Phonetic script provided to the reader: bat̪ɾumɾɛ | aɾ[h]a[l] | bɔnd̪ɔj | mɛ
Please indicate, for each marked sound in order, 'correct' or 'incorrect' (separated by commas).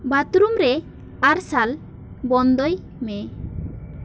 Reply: incorrect, correct